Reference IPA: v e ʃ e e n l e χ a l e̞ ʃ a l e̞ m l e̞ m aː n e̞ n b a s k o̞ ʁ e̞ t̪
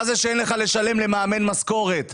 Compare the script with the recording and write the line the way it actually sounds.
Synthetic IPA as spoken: z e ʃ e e n l e χ a l e̞ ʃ a l e̞ m l e̞ m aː m e̞ n m a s k o̞ ʁ e̞ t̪